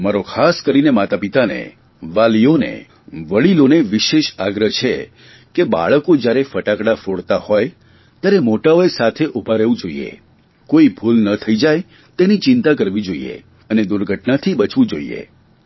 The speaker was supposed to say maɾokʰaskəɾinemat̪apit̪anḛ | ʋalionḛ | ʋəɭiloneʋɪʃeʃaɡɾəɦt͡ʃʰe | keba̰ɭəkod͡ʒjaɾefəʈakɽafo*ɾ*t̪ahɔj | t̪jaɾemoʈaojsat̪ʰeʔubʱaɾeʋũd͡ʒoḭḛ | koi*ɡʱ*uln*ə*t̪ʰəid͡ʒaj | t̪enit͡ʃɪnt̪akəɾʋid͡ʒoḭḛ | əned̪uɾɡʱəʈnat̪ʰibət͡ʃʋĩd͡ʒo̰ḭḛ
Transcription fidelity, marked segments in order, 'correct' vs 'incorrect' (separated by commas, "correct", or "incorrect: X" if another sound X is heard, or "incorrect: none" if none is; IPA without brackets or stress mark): incorrect: ɽ, incorrect: bʱ, correct